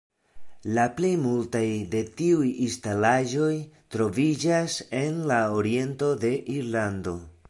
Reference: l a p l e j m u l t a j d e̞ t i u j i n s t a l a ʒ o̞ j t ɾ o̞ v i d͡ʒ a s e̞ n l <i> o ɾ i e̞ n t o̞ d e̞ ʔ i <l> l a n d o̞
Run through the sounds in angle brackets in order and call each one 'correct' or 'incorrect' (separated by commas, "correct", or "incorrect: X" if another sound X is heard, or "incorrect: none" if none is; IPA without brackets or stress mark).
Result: incorrect: a, incorrect: ɾ